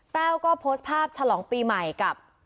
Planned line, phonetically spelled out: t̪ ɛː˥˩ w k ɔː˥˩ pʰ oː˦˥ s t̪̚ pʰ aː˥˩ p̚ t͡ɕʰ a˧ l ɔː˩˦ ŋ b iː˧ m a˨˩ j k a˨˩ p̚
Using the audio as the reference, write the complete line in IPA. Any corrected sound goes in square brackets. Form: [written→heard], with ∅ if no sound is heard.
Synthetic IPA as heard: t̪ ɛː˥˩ w k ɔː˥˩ pʰ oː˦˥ s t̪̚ pʰ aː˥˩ p̚ t͡ɕʰ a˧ l ɔː˩˦ ŋ [b→p] iː˧ m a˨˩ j k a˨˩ p̚